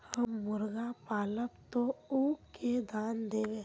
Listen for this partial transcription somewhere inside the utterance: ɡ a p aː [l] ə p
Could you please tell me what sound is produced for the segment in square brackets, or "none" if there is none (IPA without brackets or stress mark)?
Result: l